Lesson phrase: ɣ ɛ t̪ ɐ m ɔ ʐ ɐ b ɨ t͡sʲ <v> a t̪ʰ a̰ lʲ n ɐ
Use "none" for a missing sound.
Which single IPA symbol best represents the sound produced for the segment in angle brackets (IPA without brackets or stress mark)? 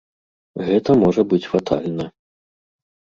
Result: f